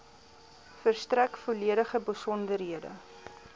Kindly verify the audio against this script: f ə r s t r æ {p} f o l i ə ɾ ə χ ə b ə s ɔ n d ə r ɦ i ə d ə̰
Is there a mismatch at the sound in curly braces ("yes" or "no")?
yes